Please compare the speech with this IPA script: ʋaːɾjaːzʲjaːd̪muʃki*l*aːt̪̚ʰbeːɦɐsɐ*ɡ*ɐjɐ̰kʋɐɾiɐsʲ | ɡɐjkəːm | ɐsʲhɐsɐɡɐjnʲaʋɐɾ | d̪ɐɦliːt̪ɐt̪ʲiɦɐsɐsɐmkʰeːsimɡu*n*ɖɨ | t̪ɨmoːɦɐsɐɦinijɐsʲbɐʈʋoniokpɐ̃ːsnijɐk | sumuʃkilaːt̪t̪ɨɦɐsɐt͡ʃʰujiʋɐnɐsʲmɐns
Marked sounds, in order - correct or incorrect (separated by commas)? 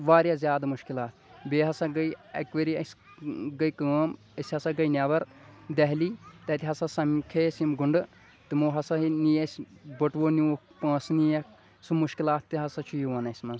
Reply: correct, correct, incorrect